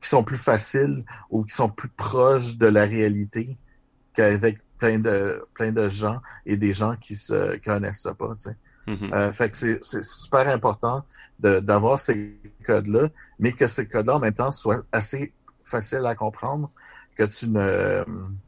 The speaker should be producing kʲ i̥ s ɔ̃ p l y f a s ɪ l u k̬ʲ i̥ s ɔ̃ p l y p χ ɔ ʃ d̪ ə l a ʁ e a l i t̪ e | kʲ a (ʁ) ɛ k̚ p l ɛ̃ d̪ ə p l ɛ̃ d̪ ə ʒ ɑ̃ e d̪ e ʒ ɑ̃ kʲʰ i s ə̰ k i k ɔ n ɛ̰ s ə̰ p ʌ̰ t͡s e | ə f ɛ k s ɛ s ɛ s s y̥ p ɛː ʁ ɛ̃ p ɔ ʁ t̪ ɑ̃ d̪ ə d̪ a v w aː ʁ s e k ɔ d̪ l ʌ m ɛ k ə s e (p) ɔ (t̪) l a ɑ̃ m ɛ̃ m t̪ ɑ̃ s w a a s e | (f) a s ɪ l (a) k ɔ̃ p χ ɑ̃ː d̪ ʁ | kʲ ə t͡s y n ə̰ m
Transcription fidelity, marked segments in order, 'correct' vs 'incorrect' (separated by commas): incorrect, incorrect, incorrect, correct, correct